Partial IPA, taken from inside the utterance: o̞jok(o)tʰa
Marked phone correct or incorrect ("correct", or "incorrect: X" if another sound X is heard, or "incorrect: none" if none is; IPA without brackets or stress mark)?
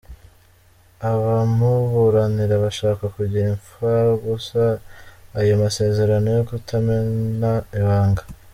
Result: incorrect: u